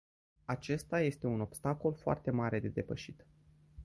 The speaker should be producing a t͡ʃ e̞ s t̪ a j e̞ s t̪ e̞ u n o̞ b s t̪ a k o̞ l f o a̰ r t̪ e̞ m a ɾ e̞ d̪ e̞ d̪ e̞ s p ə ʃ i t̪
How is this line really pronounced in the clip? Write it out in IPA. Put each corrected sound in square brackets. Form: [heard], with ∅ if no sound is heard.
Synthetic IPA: a t͡ʃ e̞ s t̪ a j e̞ s t̪ e̞ u n o̞ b s t̪ a k o̞ l f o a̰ r t̪ e̞ m a ɾ e̞ d̪ e̞ d̪ e̞ [∅] p ə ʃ i t̪

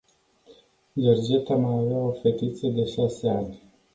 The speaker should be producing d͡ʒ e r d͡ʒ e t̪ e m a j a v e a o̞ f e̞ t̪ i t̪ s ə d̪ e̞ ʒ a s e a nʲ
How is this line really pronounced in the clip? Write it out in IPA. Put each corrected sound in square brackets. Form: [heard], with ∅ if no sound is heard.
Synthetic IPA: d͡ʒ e r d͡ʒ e t̪ [a] m a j a v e a o̞ f e̞ t̪ i t̪ s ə d̪ e̞ [ʃ] a s e a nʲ

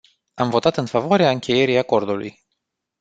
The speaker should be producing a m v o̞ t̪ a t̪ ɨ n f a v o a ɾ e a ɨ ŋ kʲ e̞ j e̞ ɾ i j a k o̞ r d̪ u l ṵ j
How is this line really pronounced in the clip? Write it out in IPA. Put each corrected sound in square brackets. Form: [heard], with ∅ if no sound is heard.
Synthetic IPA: a m v o̞ t̪ a t̪ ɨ n f a v o a ɾ e a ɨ ŋ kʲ e̞ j e̞ ɾ i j a k o̞ r d̪ u l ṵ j

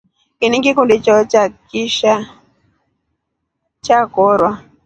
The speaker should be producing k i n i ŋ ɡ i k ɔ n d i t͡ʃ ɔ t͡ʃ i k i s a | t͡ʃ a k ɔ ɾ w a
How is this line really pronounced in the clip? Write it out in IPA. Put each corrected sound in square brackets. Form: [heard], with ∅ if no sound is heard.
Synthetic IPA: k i n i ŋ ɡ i k [u] n d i t͡ʃ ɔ t͡ʃ [a] k i [ʃ] a | t͡ʃ a k ɔ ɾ w a

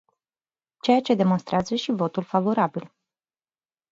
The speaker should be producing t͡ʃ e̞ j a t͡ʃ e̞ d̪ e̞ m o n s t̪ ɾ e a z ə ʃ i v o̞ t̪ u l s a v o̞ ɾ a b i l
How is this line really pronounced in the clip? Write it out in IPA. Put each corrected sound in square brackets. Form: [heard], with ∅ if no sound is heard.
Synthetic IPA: t͡ʃ e̞ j a t͡ʃ e̞ d̪ e̞ m o n s t̪ ɾ e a z ə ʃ i v o̞ t̪ u l [f] a v o̞ ɾ a b i l

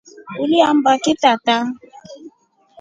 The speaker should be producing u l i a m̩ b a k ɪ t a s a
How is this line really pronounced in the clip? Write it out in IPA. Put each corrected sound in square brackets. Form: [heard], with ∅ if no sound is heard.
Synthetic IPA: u l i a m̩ b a k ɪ t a [t] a

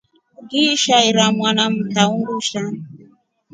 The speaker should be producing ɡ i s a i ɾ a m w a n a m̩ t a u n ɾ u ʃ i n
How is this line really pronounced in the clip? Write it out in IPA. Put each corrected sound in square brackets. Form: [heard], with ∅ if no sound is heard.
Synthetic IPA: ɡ i [ʃ] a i ɾ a m w a n a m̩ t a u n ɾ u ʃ [a] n

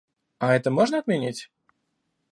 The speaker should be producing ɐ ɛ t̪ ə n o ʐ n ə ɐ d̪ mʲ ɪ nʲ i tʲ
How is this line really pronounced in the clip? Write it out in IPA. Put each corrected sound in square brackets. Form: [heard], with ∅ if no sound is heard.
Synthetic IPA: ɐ ɛ t̪ ə [m] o ʐ n ə ɐ [t̪] mʲ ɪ nʲ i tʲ

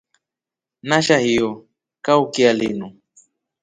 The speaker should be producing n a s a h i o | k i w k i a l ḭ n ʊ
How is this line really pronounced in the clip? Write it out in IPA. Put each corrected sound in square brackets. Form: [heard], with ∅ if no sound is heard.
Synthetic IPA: n a [ʃ] a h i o | k [a] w k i a l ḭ n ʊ

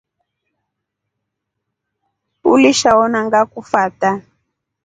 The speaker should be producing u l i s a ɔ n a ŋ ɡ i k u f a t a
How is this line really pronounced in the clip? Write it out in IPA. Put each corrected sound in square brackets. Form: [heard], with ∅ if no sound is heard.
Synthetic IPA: u l i [ʃ] a ɔ n a ŋ ɡ [a] k u f a t a

